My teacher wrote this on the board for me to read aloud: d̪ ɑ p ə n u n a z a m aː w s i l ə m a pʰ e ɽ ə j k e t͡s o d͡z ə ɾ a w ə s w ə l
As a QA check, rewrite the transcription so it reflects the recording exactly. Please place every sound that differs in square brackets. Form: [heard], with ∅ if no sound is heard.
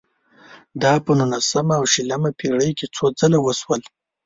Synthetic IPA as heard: d̪ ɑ p ə n u n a [s] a m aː w [ʃ] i l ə m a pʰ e ɽ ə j k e t͡s o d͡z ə [l] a w ə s w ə l